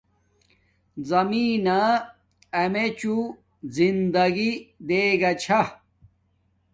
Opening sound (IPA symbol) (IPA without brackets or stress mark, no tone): z